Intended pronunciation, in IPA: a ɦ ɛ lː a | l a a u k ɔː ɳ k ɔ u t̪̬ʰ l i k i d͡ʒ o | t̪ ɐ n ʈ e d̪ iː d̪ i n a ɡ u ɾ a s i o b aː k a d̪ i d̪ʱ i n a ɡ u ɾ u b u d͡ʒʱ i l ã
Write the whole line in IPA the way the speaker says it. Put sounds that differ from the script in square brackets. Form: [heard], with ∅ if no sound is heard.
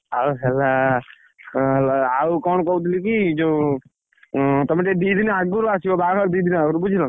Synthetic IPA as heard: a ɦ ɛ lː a | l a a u k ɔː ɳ k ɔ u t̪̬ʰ l i k i d͡ʒ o | t̪ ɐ [m] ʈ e d̪ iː d̪ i n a ɡ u ɾ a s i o b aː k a d̪ i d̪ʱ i n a ɡ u ɾ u b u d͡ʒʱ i l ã